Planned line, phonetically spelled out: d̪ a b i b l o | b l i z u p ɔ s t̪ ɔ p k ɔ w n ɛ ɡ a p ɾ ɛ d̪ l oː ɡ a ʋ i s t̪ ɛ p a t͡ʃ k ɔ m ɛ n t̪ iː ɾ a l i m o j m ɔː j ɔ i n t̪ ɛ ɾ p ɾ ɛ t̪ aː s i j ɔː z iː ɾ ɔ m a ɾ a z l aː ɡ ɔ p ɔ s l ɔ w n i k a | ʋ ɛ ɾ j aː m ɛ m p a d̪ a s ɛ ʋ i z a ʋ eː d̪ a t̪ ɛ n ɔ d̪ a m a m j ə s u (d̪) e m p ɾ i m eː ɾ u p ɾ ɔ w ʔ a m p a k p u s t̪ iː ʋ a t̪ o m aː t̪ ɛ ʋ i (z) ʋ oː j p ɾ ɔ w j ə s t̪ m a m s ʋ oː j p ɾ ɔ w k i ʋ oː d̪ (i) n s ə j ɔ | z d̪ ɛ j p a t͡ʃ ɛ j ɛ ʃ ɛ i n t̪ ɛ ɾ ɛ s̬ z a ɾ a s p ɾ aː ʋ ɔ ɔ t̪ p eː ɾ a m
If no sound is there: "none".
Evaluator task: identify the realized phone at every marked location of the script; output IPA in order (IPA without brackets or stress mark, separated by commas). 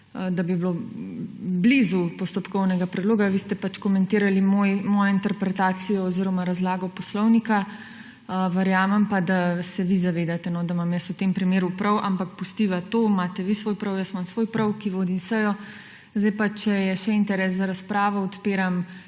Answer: t̪, s, i